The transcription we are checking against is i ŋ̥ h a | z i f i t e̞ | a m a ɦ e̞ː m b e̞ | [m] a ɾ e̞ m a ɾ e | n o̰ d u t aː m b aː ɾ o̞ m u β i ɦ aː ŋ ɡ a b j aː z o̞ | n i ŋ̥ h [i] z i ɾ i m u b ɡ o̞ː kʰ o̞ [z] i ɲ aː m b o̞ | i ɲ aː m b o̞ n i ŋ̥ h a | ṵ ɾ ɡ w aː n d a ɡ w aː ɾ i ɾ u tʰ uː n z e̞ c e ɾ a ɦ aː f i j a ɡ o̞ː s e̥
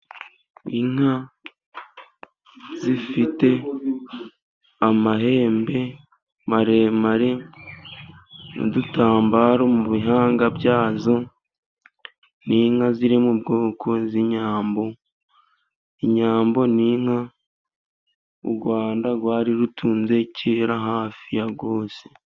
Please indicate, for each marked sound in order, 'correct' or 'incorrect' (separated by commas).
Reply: correct, incorrect, correct